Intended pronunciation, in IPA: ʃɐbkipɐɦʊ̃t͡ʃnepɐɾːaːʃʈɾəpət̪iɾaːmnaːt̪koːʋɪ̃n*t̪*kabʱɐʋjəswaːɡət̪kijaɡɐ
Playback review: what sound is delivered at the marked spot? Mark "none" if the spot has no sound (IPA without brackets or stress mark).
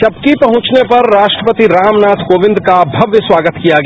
d̪